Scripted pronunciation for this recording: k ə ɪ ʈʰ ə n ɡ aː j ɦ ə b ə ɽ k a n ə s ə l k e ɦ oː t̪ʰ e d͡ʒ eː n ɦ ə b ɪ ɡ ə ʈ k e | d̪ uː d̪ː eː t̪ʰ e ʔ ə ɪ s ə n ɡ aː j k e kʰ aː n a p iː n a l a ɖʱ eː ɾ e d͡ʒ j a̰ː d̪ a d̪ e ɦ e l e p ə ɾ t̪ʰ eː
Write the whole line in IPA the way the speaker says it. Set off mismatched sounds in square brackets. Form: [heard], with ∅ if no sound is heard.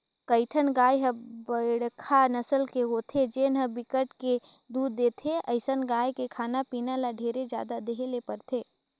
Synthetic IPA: k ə ɪ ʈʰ ə n ɡ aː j ɦ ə b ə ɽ [kʰ] a n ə s ə l k e ɦ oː t̪ʰ e d͡ʒ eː n ɦ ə b ɪ [k] ə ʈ k e | d̪ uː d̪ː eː t̪ʰ e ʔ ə ɪ s ə n ɡ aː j k e kʰ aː n a p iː n a l a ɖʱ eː ɾ e d͡ʒ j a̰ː d̪ a d̪ e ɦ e l e p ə ɾ t̪ʰ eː